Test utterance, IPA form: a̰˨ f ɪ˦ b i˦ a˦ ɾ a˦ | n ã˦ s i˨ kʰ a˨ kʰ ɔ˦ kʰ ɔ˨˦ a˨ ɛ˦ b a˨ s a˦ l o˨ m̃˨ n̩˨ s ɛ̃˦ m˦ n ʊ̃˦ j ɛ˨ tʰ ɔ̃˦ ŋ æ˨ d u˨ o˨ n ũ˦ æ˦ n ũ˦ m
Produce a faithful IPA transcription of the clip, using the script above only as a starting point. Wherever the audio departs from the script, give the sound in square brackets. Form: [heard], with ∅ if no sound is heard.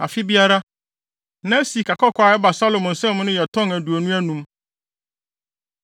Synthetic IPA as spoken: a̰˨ f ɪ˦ b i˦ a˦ ɾ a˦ | n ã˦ s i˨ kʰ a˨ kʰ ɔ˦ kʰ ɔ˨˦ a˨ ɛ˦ b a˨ s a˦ l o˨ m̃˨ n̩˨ s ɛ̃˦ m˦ n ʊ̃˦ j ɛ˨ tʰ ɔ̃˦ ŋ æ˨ d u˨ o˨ n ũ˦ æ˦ n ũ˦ m